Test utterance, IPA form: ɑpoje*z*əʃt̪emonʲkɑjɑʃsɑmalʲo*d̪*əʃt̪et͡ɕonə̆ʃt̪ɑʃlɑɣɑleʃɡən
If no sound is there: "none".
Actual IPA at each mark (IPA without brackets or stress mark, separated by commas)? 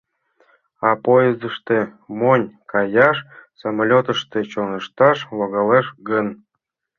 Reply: z, t̪